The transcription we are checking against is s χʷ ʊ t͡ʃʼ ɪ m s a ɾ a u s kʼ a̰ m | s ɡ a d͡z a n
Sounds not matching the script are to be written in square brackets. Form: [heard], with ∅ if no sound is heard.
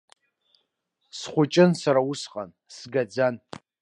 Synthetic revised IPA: s χʷ ʊ t͡ʃʼ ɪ [n] s a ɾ a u s [qʼ] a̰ [n] | s ɡ a d͡z a n